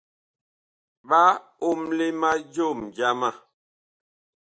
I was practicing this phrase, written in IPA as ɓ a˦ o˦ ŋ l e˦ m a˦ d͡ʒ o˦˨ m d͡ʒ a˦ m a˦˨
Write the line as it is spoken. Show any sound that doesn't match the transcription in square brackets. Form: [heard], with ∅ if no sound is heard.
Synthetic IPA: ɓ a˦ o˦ [m] l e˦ m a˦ d͡ʒ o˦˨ m d͡ʒ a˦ m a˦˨